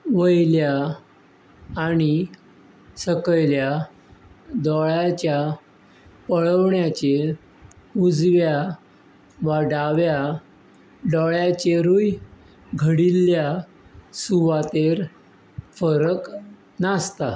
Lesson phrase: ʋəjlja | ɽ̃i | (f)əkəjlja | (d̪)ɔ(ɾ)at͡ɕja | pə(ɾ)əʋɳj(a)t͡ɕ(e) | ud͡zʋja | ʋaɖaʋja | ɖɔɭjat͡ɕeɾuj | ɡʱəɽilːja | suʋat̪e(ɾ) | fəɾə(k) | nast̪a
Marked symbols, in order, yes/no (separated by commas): no, yes, no, no, yes, yes, yes, yes